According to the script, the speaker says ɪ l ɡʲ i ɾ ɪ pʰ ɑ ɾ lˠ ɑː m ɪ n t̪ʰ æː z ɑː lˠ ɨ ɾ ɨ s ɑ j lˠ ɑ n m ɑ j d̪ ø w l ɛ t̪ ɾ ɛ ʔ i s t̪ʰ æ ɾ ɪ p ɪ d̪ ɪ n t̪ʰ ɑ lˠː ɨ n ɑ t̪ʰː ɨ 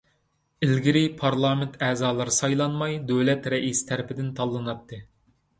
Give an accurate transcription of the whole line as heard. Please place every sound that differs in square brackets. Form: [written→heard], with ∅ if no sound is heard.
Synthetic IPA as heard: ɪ l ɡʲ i ɾ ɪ pʰ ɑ ɾ lˠ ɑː m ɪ n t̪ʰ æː z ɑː lˠ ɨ ɾ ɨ s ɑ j lˠ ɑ n m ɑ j d̪ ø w l ɛ t̪ ɾ ɛ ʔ i s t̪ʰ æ ɾ ɪ p ɪ d̪ ɪ n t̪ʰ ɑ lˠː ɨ n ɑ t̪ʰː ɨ

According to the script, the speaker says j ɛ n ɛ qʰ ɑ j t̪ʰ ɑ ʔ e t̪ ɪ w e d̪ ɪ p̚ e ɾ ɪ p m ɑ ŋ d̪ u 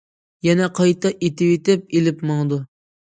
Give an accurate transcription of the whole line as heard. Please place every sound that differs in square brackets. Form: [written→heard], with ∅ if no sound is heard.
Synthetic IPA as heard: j ɛ n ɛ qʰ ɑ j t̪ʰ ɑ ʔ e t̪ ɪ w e [d̪→t̪] ɪ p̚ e [ɾ→l] ɪ p m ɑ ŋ d̪ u

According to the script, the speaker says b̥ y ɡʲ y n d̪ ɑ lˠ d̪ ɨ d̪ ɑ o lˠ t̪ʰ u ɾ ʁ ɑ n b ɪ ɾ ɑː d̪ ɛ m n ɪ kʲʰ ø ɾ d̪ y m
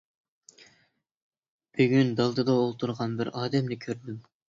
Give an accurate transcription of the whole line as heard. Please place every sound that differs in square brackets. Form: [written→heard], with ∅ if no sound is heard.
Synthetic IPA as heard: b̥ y ɡʲ y n d̪ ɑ lˠ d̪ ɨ d̪ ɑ o lˠ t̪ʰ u ɾ ʁ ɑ n b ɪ ɾ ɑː d̪ ɛ m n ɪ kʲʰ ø ɾ d̪ y m

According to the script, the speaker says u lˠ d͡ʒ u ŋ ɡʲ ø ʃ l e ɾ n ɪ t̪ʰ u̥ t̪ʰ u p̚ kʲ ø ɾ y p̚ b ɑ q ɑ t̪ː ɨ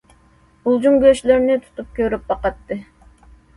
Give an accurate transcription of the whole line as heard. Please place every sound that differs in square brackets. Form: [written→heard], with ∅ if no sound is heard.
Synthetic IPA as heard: u lˠ d͡ʒ u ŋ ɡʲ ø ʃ l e ɾ n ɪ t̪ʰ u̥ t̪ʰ u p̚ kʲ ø ɾ y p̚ b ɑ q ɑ t̪ː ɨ

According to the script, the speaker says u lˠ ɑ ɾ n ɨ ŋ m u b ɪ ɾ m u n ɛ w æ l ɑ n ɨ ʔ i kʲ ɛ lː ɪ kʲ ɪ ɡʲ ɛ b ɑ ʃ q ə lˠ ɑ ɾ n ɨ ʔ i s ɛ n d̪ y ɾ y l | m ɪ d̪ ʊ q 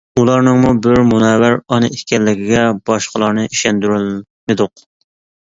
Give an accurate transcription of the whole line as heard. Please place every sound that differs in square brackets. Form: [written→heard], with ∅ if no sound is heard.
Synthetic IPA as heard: u lˠ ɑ ɾ n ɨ ŋ m u b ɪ ɾ m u n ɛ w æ [l→ɾ] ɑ n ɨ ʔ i kʲ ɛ lː ɪ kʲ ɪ ɡʲ ɛ b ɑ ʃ q ə lˠ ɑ ɾ n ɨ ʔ i [s→ʃ] ɛ n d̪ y ɾ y l | m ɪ d̪ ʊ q

